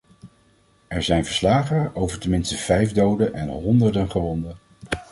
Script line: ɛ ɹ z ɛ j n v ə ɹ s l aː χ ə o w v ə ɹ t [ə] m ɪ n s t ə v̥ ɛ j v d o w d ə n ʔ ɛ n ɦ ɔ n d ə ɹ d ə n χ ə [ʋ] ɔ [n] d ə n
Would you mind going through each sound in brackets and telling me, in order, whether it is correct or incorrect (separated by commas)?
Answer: correct, correct, correct